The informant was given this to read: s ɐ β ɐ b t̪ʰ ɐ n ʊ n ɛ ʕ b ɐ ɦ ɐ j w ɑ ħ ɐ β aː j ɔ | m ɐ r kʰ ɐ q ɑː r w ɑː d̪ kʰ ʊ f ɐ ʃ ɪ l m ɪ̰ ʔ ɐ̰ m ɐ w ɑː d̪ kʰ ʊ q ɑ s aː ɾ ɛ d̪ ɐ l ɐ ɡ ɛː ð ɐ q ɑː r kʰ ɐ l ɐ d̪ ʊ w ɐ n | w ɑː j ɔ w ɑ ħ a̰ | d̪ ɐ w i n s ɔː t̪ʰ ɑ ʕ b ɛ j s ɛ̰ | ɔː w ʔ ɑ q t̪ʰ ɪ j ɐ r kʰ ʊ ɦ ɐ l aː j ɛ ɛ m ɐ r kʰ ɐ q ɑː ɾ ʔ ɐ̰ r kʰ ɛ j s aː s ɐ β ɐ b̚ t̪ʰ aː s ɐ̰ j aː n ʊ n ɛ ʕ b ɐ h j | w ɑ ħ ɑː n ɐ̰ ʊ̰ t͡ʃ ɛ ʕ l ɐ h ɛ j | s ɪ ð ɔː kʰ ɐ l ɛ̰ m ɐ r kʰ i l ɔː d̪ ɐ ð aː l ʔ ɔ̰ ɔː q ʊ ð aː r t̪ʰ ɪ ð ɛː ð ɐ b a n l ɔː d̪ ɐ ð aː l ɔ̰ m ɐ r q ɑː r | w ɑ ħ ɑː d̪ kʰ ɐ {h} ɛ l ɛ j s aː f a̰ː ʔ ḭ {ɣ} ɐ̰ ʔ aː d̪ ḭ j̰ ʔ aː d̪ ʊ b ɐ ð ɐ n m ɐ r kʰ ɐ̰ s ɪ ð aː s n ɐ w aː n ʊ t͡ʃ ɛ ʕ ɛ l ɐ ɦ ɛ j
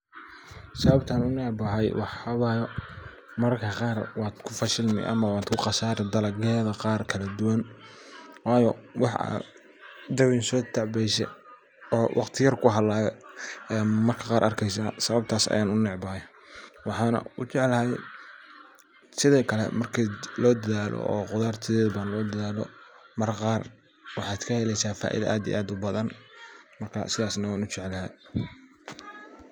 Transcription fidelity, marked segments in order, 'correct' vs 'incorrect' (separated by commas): correct, incorrect